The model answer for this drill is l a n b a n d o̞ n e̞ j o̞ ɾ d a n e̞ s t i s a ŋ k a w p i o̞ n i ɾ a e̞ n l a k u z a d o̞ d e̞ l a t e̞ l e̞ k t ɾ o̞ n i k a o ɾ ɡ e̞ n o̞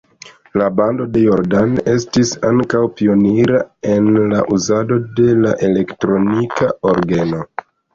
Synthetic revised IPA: l a b a n d o̞ d e̞ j o̞ ɾ d a n e̞ s t i s a ŋ k a w p i o̞ n i ɾ a e̞ n l a ʔ u z a d o̞ d e̞ l a ʔ e̞ l e̞ k t ɾ o̞ n i k a o ɾ ɡ e̞ n o̞